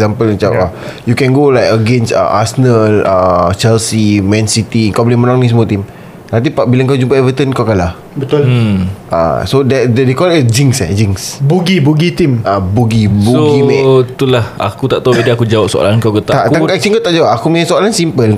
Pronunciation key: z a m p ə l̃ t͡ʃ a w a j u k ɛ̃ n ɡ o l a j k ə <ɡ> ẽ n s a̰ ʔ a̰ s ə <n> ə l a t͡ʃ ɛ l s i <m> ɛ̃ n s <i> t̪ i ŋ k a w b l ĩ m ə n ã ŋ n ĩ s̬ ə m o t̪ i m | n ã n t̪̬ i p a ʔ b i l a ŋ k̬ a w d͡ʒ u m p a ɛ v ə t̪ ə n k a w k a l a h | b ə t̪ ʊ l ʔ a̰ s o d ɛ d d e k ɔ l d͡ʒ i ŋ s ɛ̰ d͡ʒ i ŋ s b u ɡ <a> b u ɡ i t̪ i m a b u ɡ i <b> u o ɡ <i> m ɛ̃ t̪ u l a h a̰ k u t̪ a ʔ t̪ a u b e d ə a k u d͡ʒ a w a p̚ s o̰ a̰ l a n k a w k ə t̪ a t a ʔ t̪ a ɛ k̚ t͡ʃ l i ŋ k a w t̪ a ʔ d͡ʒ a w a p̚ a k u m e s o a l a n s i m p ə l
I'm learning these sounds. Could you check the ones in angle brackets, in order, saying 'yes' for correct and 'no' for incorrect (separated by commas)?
yes, yes, yes, yes, no, yes, yes